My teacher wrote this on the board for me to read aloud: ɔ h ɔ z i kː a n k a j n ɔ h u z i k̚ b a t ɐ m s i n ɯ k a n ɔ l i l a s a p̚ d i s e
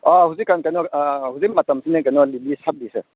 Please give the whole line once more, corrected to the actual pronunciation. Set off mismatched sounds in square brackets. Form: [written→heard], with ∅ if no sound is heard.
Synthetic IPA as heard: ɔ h [ɔ→u] z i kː a n k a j n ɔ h u z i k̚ [b→m] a t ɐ m s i n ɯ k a n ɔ l i l [a→i] s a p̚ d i s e